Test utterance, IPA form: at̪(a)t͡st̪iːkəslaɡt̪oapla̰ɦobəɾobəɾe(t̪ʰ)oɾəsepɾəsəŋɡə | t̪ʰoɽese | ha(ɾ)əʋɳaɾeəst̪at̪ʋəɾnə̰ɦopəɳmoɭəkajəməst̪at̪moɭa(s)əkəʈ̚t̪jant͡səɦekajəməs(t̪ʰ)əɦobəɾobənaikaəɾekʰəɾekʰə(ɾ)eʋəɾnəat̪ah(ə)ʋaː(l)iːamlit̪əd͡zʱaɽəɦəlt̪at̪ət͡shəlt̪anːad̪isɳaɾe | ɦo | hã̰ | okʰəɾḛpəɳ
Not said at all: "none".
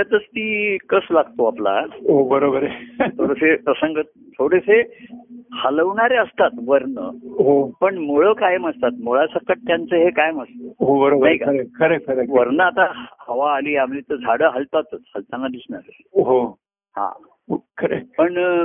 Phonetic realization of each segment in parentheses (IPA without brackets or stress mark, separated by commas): ə, t̪ʰ, l, s, t̪, ɾ, ə, l